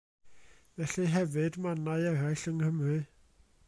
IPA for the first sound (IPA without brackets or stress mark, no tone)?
v